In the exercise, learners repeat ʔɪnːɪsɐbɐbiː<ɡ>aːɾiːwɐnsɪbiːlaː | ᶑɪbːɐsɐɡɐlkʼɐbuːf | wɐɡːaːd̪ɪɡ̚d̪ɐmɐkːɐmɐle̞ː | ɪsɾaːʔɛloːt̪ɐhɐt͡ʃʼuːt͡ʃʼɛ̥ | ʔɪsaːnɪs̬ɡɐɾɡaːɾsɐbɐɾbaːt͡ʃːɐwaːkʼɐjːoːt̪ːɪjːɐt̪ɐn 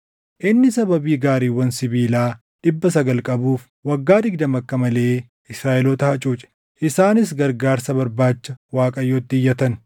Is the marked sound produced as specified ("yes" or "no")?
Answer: yes